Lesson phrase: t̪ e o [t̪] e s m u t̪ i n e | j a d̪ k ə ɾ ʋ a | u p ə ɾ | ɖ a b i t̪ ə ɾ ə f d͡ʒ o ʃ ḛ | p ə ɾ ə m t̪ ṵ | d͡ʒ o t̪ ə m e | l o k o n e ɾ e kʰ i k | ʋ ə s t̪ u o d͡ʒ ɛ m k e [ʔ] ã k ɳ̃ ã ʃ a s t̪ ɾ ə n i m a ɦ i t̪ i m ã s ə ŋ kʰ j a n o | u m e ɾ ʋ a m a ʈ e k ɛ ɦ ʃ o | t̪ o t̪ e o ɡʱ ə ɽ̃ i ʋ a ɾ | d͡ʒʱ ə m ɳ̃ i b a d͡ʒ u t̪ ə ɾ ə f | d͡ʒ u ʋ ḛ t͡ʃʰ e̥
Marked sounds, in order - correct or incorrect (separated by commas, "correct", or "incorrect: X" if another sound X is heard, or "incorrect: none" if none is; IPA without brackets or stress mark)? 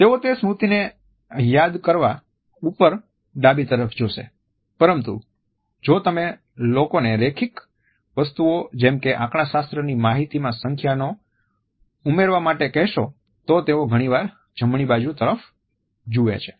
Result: correct, correct